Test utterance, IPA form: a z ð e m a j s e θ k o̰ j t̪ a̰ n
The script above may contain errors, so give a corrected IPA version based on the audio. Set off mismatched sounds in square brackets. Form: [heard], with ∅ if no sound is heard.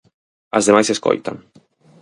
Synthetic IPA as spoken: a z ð e m a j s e [s] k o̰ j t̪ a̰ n